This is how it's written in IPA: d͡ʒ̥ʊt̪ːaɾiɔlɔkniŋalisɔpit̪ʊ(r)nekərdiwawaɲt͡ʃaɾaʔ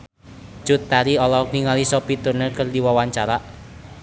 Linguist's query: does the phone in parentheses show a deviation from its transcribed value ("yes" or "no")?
no